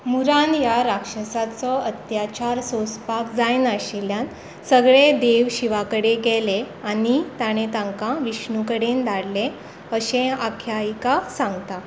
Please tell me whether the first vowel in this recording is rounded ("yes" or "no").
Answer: yes